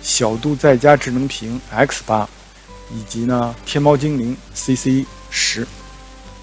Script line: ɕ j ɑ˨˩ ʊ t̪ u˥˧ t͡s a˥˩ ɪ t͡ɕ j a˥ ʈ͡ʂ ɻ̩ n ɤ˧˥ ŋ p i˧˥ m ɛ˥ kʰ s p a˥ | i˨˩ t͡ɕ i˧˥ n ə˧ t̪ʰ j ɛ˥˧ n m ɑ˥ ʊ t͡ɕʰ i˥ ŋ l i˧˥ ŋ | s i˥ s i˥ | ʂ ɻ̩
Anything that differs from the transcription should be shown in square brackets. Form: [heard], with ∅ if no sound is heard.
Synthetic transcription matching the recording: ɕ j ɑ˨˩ ʊ t̪ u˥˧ t͡s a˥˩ ɪ t͡ɕ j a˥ ʈ͡ʂ ɻ̩ n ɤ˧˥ ŋ [pʰ] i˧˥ [ŋ] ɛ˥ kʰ s p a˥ | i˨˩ t͡ɕ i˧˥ n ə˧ t̪ʰ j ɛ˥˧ n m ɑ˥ ʊ [t͡ɕ] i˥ ŋ l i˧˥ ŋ | s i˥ s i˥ | ʂ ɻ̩

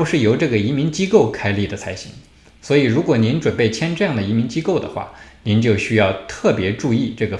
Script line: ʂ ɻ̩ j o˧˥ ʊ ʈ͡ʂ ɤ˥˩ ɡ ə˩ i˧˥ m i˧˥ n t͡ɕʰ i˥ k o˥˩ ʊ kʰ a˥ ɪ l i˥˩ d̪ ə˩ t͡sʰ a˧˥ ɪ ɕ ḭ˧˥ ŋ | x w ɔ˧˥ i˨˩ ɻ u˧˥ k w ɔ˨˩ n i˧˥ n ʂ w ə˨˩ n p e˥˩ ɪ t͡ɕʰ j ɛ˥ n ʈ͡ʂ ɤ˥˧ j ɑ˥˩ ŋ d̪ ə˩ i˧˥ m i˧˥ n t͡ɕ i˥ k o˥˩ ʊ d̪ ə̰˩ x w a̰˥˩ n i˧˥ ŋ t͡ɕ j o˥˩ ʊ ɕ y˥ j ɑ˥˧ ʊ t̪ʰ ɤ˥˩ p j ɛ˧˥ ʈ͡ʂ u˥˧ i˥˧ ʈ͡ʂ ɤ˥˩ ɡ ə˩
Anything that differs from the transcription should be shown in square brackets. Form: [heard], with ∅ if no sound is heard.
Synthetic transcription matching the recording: ʂ ɻ̩ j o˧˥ ʊ ʈ͡ʂ ɤ˥˩ ɡ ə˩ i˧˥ m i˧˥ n [t͡ɕ] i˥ k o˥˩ ʊ kʰ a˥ ɪ l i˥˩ d̪ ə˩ t͡sʰ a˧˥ ɪ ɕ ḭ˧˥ ŋ | [s] w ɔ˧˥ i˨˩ ɻ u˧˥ k w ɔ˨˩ n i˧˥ n [ʈ͡ʂ] w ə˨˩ n p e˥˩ ɪ t͡ɕʰ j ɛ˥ n ʈ͡ʂ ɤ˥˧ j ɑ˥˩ ŋ d̪ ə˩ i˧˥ m i˧˥ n t͡ɕ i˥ k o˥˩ ʊ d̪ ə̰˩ x w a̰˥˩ n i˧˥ [n] t͡ɕ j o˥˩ ʊ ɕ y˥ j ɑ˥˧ ʊ t̪ʰ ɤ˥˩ p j ɛ˧˥ ʈ͡ʂ u˥˧ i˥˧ ʈ͡ʂ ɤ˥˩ ɡ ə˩

